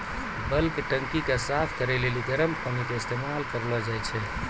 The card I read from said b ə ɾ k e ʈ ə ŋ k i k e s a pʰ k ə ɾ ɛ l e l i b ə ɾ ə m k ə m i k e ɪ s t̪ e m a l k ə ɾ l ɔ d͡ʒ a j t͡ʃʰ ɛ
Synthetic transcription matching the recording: b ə l k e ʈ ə ŋ k i k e s a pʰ k ə ɾ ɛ l e l i ɡ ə ɾ ə m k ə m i k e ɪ s t̪ e m a l k ə ɾ l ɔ d͡ʒ a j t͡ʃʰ ɛ